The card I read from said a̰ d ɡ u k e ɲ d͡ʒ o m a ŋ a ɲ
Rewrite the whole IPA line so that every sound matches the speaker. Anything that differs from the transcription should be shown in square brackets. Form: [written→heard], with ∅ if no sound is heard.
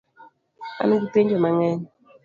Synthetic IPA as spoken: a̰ [d→n] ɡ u [k→t] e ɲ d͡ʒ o m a ŋ [a→ɛ] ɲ